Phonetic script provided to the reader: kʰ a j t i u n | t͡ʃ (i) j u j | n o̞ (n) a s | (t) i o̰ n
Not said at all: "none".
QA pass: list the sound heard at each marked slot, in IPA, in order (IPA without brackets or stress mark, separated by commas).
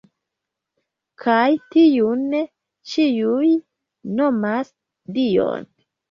i, m, d